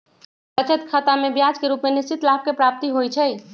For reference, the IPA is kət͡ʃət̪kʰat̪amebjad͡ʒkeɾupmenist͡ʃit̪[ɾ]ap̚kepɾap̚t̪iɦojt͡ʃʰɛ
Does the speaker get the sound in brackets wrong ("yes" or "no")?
yes